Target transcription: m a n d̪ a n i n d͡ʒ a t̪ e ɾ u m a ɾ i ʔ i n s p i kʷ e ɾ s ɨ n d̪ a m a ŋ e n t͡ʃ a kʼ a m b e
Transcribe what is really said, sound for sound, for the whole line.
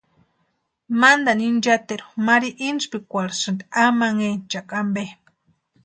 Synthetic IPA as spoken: m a n d̪ a n i n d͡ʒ a t̪ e ɾ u m a ɾ i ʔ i n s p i kʷ a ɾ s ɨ n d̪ a m a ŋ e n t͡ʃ a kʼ a m b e